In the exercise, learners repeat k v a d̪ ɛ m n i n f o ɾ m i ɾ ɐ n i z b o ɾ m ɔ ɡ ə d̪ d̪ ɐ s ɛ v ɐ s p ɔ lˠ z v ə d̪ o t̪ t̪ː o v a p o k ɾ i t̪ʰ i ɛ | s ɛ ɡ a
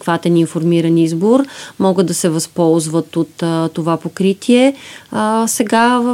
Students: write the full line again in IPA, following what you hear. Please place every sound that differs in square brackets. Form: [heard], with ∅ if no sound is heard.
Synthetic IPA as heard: k v a [t̪] ɛ [∅] n i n f o ɾ m i ɾ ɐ n i z b o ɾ m ɔ ɡ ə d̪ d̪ ɐ s ɛ v ɐ s p ɔ lˠ z v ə [t̪] o t̪ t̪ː o v a p o k ɾ i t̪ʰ i ɛ | s ɛ ɡ a